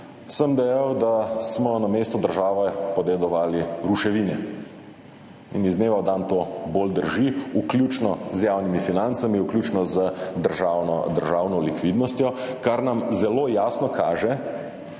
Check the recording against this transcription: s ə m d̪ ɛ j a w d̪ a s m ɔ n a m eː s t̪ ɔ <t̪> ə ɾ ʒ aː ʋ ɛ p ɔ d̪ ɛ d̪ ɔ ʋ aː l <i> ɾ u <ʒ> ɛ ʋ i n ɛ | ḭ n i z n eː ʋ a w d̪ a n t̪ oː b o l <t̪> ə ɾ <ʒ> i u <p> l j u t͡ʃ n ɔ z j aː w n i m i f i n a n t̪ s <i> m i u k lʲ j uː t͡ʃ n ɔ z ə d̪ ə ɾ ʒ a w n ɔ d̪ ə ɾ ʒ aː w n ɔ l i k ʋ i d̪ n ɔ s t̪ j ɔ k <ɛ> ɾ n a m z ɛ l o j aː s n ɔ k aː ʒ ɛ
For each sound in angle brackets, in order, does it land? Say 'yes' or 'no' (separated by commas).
no, yes, no, no, yes, no, no, no